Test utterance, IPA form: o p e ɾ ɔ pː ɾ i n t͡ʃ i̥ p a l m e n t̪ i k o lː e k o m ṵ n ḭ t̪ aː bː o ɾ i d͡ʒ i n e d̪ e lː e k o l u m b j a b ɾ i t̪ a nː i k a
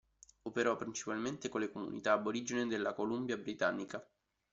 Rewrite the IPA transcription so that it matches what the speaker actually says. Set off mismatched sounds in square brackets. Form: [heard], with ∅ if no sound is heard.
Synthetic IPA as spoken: o p e ɾ ɔ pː ɾ i n t͡ʃ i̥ p a l m e n t̪ [e] k o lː e k o m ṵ n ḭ t̪ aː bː o ɾ i d͡ʒ i n e d̪ e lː [a] k o l u m b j a b ɾ i t̪ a nː i k a

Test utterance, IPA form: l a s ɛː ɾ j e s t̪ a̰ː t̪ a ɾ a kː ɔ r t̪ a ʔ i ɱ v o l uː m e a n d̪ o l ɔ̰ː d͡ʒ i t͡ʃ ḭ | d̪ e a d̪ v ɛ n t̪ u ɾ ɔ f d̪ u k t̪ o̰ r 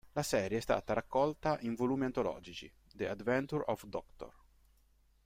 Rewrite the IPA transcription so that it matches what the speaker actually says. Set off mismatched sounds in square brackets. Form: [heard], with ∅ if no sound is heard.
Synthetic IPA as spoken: l a s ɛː ɾ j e s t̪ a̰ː t̪ a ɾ a kː ɔ [l] t̪ a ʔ i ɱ v o l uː m [i] a n [t̪] o l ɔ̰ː d͡ʒ i t͡ʃ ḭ | d̪ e a d̪ v ɛ n t̪ u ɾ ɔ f d̪ [ɔ] k t̪ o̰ r

